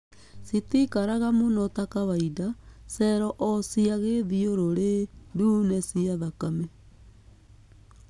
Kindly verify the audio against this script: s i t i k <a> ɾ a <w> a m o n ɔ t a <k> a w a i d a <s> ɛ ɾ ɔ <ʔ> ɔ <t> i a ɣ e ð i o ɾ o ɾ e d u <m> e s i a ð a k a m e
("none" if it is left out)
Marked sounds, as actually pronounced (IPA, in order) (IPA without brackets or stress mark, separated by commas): a, ɣ, k, s, ʔ, s, n